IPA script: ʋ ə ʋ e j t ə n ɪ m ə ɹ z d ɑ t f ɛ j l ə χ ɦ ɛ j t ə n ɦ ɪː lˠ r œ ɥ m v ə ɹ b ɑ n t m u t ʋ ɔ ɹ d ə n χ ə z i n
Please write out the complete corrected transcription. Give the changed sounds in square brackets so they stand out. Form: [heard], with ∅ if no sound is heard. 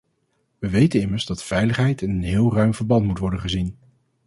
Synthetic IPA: ʋ ə ʋ e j t ə n ɪ m ə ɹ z d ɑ t f ɛ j l ə χ ɦ ɛ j t ə n ɦ ɪː lˠ r œ ɥ m v ə ɹ b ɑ n t m u t ʋ ɔ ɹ d ə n χ ə z i n